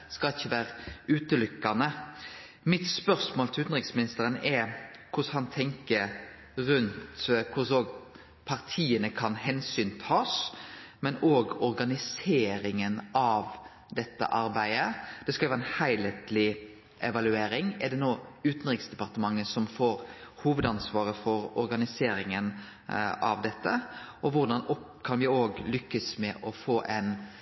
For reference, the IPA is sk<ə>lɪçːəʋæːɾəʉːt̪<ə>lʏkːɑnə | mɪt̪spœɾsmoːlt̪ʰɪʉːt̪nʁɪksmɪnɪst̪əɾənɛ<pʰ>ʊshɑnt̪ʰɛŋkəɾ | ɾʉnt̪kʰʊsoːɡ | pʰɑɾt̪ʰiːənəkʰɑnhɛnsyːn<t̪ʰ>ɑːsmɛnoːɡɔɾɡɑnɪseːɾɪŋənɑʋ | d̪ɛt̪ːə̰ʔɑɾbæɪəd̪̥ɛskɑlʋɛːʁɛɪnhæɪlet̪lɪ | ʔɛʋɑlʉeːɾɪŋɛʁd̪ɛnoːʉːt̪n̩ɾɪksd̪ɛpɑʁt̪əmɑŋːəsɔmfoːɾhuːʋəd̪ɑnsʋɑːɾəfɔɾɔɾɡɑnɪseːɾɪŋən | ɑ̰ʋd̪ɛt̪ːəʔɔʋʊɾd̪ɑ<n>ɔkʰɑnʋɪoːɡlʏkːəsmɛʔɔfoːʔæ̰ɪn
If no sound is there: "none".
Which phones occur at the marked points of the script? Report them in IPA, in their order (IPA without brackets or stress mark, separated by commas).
ɑ, ə, kʰ, t̪ʰ, n